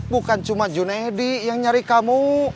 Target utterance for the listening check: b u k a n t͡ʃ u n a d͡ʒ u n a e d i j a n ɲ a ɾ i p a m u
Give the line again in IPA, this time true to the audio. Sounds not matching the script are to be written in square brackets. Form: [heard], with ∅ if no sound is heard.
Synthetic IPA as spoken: b u k a n t͡ʃ u [m] a d͡ʒ u n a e d i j a [ŋ] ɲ a ɾ i [k] a m u